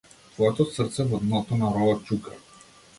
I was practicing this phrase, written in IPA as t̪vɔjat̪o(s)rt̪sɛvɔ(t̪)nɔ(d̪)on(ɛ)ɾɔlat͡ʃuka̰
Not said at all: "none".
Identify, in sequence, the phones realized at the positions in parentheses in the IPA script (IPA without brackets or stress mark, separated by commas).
s, d̪, t̪, a